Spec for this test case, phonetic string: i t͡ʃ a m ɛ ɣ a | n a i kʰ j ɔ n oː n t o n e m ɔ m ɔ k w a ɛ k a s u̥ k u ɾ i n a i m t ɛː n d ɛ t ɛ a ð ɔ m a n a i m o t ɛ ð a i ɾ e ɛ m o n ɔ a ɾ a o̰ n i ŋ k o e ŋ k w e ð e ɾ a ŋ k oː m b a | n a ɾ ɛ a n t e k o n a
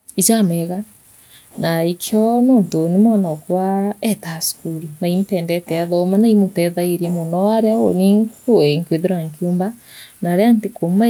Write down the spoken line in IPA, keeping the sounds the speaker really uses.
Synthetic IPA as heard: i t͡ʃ a m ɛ ɣ a | n a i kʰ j ɔ n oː n t o n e m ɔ n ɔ k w a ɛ t a s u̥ k u ɾ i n a i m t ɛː n d ɛ t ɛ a ð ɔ m a n a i m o t ɛ ð a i ɾ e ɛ m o n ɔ a ɾ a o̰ n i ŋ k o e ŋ k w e ð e ɾ a ŋ k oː m b a | n a ɾ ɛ a n t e k o m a